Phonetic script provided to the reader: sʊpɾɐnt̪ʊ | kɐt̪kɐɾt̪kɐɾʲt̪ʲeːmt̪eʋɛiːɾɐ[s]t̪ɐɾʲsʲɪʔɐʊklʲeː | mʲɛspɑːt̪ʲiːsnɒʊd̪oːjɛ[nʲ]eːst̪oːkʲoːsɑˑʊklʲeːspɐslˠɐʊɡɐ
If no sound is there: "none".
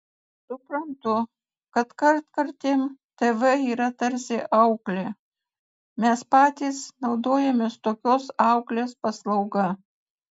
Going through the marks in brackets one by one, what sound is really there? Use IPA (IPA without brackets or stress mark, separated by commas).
none, mʲ